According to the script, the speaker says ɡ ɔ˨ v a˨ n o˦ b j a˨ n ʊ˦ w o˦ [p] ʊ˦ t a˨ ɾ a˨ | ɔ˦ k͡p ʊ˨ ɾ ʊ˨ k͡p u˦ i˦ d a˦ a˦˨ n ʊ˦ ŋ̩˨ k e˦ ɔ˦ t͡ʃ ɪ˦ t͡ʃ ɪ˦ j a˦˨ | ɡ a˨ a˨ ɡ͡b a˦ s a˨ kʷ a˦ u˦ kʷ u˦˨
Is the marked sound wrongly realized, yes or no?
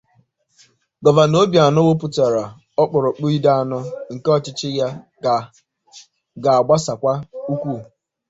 no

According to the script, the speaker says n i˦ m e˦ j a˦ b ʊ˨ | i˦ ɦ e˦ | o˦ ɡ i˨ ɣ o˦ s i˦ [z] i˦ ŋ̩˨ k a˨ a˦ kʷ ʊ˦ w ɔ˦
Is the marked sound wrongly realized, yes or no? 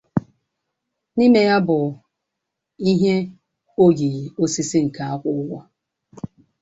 yes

